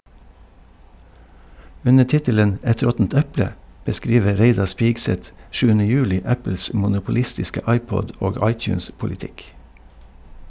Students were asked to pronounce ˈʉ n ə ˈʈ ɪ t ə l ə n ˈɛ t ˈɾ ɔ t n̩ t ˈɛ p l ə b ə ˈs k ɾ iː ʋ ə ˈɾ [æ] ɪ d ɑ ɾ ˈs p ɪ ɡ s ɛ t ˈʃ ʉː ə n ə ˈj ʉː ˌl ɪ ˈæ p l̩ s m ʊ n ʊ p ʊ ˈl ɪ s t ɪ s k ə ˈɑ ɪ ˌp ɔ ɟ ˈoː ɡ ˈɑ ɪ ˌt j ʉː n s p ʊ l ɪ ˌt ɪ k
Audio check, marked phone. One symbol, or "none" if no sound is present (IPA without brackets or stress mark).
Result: e